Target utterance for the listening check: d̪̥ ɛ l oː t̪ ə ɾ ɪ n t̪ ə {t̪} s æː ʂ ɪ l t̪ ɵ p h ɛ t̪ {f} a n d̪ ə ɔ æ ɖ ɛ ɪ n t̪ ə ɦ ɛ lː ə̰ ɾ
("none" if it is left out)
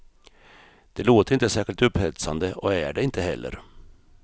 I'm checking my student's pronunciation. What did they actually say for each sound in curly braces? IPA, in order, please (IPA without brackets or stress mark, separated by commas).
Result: none, s